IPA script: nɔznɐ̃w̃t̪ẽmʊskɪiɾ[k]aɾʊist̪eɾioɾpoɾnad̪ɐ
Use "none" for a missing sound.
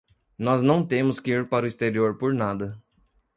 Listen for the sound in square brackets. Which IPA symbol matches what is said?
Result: p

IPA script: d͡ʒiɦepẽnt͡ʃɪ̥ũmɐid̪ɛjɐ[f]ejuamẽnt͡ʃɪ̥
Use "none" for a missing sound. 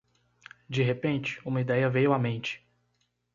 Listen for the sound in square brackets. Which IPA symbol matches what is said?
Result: v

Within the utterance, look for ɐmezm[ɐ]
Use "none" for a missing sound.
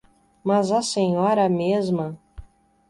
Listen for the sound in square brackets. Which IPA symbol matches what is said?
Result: ɐ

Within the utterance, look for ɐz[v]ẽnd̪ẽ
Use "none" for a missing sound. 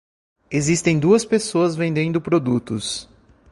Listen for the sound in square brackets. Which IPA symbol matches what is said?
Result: v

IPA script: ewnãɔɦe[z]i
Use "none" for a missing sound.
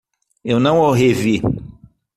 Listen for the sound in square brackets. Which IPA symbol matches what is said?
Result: v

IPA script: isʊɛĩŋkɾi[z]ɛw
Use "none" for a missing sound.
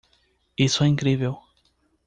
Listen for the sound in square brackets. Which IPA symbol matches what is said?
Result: v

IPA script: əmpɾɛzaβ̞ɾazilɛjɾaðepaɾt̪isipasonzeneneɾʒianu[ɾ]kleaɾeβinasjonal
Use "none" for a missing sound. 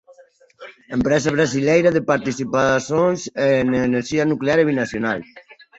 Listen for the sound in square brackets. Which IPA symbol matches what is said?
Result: none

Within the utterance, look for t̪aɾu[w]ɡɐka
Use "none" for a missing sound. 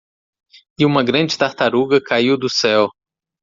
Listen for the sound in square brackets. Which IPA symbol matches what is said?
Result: none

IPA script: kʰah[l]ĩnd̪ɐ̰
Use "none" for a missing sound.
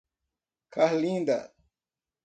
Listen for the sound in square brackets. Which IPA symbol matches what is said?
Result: l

